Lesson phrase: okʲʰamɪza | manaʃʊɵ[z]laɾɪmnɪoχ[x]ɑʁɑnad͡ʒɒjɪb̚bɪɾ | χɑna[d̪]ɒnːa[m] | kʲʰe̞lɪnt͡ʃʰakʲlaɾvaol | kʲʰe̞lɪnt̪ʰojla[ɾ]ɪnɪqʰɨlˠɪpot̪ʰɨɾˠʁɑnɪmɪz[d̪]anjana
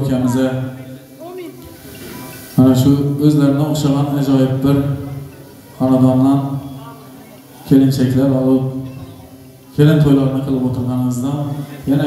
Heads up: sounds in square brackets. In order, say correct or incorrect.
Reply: correct, incorrect, correct, incorrect, correct, correct

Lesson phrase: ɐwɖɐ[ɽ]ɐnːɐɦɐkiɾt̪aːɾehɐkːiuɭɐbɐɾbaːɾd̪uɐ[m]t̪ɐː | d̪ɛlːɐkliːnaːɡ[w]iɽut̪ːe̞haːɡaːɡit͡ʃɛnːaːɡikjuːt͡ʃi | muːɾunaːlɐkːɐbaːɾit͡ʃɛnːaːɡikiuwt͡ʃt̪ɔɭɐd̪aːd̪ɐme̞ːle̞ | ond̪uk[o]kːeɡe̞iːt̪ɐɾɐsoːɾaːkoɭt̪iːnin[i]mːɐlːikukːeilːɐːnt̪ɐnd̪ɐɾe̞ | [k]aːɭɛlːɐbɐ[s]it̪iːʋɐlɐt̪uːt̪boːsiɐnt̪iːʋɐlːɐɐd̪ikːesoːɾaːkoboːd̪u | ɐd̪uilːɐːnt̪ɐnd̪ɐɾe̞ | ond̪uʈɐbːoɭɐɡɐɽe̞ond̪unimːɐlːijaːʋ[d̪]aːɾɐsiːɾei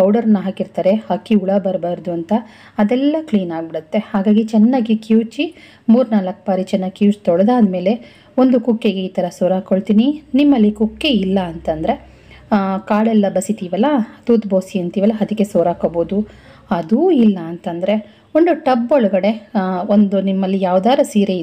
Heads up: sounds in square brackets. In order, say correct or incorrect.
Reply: incorrect, incorrect, incorrect, incorrect, correct, correct, correct, correct

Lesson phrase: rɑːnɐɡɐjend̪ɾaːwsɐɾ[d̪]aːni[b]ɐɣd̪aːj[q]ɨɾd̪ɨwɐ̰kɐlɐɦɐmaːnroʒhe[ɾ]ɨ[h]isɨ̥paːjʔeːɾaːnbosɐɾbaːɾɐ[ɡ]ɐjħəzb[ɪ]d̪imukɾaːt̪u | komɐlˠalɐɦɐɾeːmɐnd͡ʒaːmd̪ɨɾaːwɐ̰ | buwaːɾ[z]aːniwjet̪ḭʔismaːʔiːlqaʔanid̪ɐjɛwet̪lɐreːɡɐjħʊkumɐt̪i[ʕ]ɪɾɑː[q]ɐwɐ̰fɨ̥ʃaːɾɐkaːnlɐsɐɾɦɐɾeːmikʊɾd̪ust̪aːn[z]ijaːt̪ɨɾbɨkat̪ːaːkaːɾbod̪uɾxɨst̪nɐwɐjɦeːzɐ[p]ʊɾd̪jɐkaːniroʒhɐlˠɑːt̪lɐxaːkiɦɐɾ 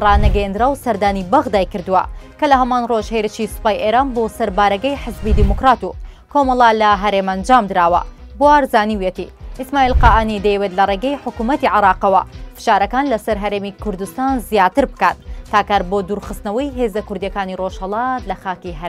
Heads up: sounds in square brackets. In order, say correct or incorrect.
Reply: correct, correct, incorrect, correct, incorrect, correct, incorrect, correct, correct, correct, correct, incorrect

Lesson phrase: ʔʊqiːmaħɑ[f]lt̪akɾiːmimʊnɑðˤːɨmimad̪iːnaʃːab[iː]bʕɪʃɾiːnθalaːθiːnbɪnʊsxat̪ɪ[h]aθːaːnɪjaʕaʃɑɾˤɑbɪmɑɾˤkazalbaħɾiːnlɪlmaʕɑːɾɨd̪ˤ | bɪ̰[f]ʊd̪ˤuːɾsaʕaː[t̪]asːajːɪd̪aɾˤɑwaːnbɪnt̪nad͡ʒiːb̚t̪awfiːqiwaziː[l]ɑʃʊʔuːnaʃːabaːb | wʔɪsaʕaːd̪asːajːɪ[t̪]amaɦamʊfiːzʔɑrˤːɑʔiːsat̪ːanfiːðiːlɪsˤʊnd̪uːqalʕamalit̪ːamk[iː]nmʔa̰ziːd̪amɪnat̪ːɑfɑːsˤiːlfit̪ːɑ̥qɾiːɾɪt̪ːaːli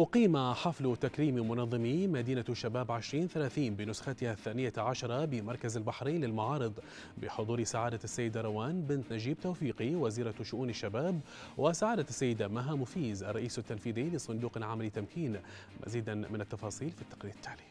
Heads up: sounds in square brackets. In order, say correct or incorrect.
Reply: correct, incorrect, correct, incorrect, incorrect, incorrect, incorrect, correct

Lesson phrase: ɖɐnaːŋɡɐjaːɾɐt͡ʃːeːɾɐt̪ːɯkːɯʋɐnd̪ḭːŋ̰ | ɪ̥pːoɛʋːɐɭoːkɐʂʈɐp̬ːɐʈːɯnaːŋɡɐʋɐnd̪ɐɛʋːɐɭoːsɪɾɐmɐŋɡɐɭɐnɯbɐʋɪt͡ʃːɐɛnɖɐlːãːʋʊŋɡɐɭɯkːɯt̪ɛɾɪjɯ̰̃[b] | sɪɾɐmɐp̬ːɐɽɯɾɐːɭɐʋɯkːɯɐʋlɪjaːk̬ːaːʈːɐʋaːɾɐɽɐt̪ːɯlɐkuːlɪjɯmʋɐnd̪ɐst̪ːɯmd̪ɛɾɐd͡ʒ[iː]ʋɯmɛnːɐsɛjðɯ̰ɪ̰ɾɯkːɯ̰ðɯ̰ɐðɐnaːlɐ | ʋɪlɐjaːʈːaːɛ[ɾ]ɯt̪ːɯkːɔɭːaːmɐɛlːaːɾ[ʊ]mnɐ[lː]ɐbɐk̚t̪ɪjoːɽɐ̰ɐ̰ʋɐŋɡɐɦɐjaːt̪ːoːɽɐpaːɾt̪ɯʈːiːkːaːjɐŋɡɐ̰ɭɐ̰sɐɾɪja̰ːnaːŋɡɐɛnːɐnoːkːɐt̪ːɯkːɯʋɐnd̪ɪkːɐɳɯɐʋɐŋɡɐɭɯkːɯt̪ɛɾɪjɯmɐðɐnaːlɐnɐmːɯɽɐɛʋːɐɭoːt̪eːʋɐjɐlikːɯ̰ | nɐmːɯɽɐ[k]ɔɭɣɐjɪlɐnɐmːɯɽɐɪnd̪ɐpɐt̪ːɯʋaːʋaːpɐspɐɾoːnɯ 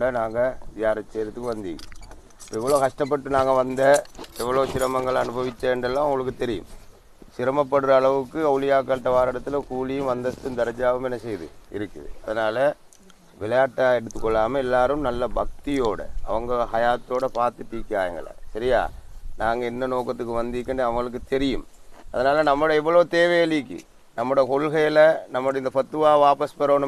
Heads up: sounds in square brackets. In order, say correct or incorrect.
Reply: incorrect, incorrect, incorrect, incorrect, correct, correct

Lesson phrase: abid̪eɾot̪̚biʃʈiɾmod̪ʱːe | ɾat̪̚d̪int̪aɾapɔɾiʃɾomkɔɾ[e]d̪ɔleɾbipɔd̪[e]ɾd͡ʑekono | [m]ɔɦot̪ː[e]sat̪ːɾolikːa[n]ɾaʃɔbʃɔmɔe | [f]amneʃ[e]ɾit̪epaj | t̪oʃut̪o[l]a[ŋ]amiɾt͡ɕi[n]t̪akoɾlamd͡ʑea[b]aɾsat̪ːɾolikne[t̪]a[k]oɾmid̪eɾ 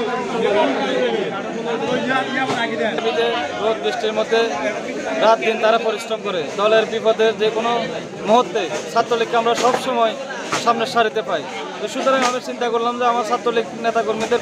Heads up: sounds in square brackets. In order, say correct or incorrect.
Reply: correct, correct, correct, correct, incorrect, incorrect, incorrect, incorrect, correct, correct, incorrect, correct, correct

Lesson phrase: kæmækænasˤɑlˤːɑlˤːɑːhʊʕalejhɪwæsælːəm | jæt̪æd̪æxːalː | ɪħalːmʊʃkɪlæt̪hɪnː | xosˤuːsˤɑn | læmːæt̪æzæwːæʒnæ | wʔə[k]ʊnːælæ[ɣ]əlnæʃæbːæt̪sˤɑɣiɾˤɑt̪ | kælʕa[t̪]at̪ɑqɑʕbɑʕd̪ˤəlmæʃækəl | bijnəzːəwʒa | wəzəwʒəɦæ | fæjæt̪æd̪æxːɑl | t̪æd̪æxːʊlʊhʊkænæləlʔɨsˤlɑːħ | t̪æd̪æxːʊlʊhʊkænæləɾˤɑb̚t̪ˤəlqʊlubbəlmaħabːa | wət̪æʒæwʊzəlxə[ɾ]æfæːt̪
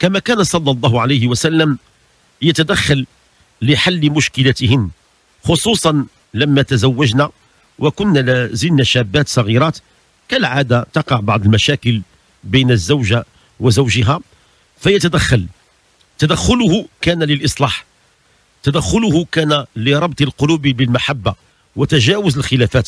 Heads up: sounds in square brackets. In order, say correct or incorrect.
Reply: correct, incorrect, incorrect, incorrect

